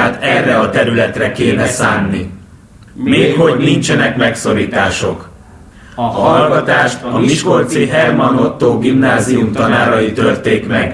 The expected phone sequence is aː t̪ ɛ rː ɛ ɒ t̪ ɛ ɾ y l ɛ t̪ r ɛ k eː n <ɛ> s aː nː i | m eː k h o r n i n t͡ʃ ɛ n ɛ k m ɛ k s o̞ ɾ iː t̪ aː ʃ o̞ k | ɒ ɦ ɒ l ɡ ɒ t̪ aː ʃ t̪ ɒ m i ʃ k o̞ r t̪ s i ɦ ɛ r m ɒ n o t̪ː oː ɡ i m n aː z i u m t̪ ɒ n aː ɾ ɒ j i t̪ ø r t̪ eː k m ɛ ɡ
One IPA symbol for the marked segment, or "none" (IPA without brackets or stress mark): ɛ